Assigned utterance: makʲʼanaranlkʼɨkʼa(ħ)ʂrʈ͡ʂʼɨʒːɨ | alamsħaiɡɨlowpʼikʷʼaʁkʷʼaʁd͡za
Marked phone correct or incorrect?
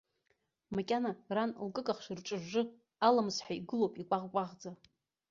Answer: incorrect